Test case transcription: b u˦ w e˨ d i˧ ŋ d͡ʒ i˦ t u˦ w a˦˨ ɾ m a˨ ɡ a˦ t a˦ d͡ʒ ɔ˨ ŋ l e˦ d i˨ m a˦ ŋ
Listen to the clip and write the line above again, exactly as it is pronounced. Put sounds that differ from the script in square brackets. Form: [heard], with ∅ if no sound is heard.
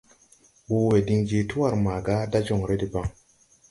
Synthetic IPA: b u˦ w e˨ d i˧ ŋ d͡ʒ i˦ t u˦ w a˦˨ ɾ m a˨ ɡ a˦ [d] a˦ d͡ʒ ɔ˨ ŋ [ɾ] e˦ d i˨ [b] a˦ ŋ